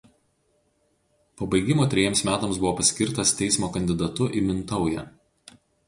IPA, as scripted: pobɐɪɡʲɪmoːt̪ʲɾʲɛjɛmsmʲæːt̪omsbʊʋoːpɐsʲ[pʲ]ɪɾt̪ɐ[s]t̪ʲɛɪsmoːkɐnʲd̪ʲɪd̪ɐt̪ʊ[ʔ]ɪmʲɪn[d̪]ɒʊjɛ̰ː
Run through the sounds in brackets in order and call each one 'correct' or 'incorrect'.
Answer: incorrect: kʲ, correct, correct, incorrect: t̪

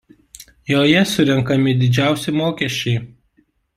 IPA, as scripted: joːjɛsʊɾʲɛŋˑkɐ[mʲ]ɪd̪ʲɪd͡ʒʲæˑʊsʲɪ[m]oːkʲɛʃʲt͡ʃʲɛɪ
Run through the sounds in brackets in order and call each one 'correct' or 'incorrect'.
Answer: correct, correct

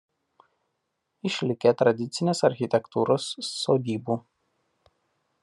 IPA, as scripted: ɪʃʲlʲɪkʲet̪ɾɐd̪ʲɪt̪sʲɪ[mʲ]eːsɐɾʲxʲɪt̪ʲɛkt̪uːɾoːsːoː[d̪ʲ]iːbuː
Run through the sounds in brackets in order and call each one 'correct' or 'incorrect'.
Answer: incorrect: nʲ, correct

